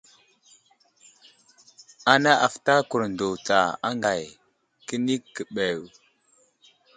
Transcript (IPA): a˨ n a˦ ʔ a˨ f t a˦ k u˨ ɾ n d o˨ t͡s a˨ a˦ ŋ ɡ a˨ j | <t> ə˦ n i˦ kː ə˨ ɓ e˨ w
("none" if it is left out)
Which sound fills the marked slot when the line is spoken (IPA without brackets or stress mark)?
k